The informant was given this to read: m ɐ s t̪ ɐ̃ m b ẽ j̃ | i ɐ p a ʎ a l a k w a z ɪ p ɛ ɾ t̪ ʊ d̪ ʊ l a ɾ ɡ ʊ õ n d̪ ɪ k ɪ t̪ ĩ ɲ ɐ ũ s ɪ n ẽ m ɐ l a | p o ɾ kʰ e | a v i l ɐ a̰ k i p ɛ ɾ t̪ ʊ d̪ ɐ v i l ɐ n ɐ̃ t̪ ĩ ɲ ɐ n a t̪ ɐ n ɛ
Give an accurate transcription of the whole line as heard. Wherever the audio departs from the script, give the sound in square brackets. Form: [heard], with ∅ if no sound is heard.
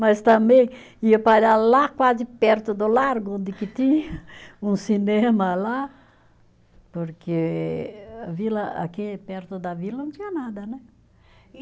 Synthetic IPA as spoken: m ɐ s t̪ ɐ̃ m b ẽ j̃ | i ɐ p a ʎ a l a k w a z ɪ p ɛ ɾ t̪ ʊ d̪ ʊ l a ɾ ɡ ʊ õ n d̪ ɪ k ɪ t̪ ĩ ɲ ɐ ũ s [i] n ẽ m ɐ l a | p o ɾ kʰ e | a v i l ɐ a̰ k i p ɛ ɾ t̪ ʊ d̪ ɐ v i l ɐ n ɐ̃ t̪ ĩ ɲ ɐ n a [d̪] ɐ n ɛ

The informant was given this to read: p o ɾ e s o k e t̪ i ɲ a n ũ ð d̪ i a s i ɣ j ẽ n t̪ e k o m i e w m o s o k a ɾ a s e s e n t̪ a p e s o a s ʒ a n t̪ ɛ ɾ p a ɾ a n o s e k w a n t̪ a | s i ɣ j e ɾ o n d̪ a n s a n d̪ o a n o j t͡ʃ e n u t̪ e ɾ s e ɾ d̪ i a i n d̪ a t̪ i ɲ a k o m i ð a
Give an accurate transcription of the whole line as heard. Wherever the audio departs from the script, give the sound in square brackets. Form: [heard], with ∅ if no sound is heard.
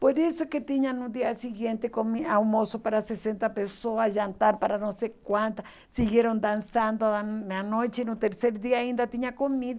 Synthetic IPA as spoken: p o ɾ e s o k e t̪ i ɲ a n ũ [∅] d̪ i a s i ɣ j [e] n t̪ e k o m i [a] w m o s o [p] a ɾ a s e s e n t̪ a p e s o a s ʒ a n t̪ [a] ɾ p a ɾ a n o s e k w a n t̪ a | s i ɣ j e ɾ o n d̪ a n s a n d̪ o a n o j t͡ʃ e n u t̪ e ɾ s e ɾ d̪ i a i n d̪ a t̪ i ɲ a k o m i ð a

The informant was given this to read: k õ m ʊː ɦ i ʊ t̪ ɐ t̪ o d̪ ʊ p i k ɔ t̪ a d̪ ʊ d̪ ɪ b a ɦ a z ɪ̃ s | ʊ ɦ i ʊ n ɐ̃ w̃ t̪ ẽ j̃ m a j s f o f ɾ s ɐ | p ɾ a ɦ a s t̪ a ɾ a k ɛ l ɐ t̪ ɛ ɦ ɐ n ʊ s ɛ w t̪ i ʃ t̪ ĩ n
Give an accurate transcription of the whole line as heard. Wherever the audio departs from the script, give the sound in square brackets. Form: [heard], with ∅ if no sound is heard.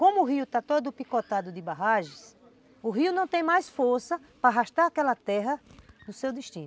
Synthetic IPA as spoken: k õ m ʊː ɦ i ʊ t̪ [a] t̪ o d̪ ʊ p i k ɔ t̪ a d̪ ʊ d̪ ɪ b a ɦ a [ʒ] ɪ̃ s | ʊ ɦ i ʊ n ɐ̃ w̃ t̪ ẽ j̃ m a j s f o [∅] ɾ s ɐ | p ɾ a ɦ a [ʃ] t̪ a ɾ a k ɛ l ɐ t̪ ɛ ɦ ɐ n ʊ s [e] w [d̪] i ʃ t̪ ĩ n

